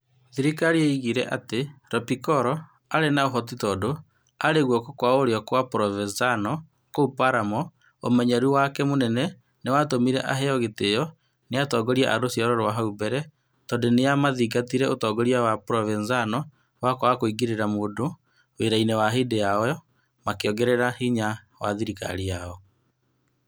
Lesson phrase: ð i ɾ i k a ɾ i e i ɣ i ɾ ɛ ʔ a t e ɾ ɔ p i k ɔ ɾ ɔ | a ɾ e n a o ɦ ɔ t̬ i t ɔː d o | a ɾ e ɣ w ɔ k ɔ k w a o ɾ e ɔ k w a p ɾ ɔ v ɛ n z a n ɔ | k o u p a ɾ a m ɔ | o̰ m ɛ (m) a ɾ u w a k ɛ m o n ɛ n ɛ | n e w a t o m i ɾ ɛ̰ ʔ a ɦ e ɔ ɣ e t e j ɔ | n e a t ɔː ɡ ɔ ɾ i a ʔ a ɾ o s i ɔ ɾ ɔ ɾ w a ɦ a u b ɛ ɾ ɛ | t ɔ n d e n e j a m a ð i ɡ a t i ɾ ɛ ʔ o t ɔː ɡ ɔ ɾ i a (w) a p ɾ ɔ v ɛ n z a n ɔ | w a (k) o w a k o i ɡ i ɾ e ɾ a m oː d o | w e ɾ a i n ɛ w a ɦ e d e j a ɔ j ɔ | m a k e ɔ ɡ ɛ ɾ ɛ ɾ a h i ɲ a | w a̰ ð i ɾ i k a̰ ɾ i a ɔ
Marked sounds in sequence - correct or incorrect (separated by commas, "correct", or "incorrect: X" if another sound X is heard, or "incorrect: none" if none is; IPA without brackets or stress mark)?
incorrect: ɲ, correct, correct